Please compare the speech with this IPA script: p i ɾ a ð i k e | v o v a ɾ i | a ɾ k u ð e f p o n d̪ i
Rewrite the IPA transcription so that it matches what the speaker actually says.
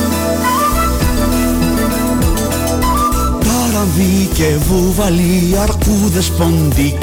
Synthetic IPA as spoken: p a ɾ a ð i k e | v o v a l i | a ɾ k u ð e s p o n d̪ i